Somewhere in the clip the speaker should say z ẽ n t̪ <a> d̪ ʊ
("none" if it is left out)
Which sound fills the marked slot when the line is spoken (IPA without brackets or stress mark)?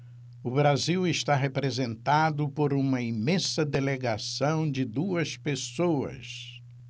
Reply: a